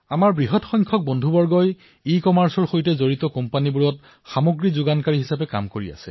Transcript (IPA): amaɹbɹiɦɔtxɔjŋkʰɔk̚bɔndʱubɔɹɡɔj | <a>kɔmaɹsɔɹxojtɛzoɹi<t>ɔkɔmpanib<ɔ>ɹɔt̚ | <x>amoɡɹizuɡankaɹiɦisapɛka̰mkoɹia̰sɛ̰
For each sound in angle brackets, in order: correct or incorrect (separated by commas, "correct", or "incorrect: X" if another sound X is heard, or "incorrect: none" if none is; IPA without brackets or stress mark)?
incorrect: i, correct, incorrect: u, correct